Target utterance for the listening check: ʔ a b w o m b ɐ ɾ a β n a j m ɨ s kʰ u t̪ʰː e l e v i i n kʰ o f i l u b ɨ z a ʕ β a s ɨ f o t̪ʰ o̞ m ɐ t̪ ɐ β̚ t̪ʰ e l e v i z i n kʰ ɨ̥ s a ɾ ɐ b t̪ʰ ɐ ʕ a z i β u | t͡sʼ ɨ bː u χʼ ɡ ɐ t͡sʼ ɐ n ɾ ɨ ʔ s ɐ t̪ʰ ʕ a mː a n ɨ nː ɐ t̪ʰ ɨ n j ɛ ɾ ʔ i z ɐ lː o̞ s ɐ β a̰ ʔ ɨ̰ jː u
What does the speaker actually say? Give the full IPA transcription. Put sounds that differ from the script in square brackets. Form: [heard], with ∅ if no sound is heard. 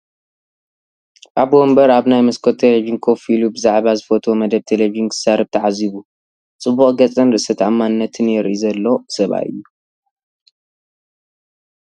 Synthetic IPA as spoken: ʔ a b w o m b ɐ ɾ a β n a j m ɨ s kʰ [o] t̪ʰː e l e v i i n kʰ o f i l u b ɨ z a ʕ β a [z] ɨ f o t̪ʰ o̞ m ɐ [d̪] ɐ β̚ t̪ʰ e l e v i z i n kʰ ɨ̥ s a ɾ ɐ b t̪ʰ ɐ ʕ a z i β u | t͡sʼ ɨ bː u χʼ ɡ ɐ t͡sʼ ɐ n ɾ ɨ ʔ s ɐ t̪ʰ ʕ a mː a n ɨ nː ɐ t̪ʰ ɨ n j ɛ ɾ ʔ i z ɐ lː o̞ s ɐ β a̰ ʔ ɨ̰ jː u